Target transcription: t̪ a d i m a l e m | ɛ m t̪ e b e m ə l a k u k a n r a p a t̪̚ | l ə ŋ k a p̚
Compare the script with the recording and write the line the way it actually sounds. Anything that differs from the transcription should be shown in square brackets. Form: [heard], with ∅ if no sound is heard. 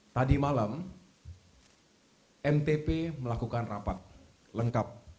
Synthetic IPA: t̪ a d i m a l [a] m | ɛ m t̪ e [p] e m ə l a k u k a n r a p a t̪̚ | l ə ŋ k a p̚

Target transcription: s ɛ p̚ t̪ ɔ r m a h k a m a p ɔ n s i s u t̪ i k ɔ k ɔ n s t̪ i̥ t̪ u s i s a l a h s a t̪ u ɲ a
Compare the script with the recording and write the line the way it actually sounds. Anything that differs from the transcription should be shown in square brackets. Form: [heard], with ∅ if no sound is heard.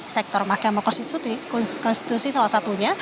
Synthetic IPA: s ɛ [k̚] t̪ ɔ r m a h k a m a [k] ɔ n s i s u t̪ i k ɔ k ɔ n s t̪ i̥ t̪ u s i s a l a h s a t̪ u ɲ a

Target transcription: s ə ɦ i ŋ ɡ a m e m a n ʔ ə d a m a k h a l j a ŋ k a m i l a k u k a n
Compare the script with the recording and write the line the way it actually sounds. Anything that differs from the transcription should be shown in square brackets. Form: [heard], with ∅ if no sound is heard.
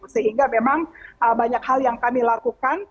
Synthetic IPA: s ə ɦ i ŋ ɡ a m e m a [ŋ] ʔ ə [b] a [ɲ] a k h a l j a ŋ k a m i l a k u k a n

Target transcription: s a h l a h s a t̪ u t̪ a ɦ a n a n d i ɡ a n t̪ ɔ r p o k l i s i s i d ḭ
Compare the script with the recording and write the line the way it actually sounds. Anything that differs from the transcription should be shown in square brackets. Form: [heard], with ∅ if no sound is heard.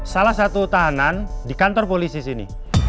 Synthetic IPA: s a [∅] l a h s a t̪ u t̪ a ɦ a n a n d i [k] a n t̪ ɔ r p o [∅] l i s i s i [n] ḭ

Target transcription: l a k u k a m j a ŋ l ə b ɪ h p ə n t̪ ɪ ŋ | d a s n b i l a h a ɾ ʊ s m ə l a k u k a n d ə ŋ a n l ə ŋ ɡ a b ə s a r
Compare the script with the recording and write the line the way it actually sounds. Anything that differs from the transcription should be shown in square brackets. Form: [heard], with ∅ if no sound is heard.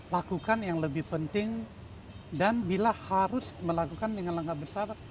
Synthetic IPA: l a k u k a [n] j a ŋ l ə b ɪ h p ə n t̪ ɪ ŋ | d a [∅] n b i l a h a ɾ ʊ s m ə l a k u k a n d ə ŋ a n l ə ŋ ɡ a b ə s a r

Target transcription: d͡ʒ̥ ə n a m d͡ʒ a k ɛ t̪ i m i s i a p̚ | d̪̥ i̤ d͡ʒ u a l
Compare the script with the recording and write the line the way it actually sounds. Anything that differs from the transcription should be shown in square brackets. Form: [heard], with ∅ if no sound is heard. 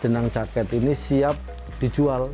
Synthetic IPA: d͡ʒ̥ ə n a [ŋ] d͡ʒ a k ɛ t̪ i [n] i s i a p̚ | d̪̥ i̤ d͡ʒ u a l

